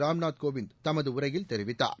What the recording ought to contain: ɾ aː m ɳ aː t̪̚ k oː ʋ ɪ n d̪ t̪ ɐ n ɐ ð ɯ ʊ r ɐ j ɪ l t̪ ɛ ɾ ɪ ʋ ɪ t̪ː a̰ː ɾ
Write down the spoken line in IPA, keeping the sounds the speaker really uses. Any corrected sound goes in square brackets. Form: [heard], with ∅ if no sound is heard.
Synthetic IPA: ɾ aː m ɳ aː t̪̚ k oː ʋ ɪ n d̪ t̪ ɐ [m] ɐ ð ɯ ʊ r ɐ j ɪ l t̪ ɛ ɾ ɪ ʋ ɪ t̪ː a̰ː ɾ

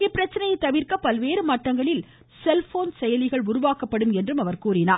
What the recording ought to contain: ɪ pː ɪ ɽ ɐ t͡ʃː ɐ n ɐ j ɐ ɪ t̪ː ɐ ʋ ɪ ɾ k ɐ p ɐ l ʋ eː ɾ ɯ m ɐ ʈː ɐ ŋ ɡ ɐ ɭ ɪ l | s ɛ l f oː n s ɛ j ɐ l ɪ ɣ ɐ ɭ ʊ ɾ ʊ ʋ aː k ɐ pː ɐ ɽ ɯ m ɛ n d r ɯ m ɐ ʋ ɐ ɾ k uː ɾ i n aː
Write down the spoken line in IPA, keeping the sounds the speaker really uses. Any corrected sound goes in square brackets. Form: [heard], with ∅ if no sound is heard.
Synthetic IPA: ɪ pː ɪ [ɾ] ɐ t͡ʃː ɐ n ɐ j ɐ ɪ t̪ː ɐ ʋ ɪ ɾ k ɐ p ɐ l ʋ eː ɾ ɯ m ɐ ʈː ɐ ŋ ɡ ɐ ɭ ɪ l | s ɛ l f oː n s ɛ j ɐ l ɪ ɣ ɐ ɭ ʊ ɾ ʊ ʋ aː k ɐ pː ɐ ɽ ɯ m ɛ n d r ɯ m ɐ ʋ ɐ ɾ k uː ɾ [ɪ] n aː

